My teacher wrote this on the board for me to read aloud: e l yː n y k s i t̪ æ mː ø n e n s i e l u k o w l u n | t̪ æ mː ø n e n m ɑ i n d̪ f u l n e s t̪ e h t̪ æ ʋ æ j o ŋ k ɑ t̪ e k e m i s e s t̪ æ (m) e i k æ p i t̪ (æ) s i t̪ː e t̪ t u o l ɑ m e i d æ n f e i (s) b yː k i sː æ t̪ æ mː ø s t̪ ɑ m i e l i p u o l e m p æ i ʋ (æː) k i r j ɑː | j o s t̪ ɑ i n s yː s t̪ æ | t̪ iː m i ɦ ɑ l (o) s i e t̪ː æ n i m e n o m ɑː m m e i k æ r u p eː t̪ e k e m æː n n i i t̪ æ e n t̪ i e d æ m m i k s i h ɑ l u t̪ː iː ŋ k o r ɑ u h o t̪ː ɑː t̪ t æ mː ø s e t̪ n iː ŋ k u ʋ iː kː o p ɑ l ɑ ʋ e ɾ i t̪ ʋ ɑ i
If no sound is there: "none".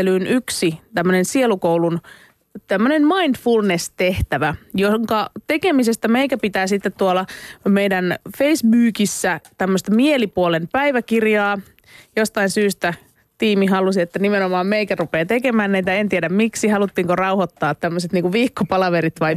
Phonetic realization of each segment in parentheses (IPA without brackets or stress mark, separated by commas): m, æː, s, æ, u